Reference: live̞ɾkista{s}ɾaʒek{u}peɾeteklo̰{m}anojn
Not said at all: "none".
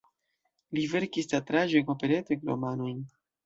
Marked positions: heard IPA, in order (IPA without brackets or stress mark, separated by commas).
t, o, m